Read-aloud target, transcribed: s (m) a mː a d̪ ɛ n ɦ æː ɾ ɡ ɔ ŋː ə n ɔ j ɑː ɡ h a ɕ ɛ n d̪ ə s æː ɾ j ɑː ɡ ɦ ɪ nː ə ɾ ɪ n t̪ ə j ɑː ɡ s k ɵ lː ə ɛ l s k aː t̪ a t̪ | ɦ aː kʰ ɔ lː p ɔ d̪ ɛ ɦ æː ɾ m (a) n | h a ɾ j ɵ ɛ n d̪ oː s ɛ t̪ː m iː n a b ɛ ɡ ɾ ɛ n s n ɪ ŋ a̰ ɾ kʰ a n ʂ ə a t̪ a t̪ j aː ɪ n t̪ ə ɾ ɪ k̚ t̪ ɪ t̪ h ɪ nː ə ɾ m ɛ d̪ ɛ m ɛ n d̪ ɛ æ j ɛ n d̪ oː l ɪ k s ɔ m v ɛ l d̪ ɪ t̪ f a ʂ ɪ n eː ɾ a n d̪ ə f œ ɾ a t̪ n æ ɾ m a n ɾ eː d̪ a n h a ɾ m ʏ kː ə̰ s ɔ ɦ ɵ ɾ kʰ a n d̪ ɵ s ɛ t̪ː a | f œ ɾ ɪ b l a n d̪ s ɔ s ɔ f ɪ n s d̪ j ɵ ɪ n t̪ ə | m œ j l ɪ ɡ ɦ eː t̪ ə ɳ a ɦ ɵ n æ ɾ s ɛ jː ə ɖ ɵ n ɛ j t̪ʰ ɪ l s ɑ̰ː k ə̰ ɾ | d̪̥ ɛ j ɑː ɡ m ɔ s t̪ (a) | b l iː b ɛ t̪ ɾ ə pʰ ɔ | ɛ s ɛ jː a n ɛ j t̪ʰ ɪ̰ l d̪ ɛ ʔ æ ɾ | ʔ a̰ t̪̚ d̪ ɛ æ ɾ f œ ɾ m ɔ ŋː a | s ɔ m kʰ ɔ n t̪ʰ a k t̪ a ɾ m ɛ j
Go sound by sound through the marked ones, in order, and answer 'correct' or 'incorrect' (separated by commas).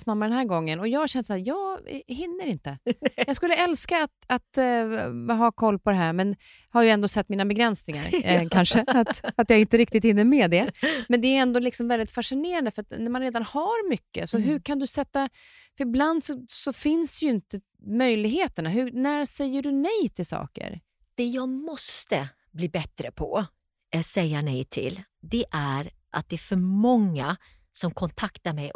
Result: correct, incorrect, incorrect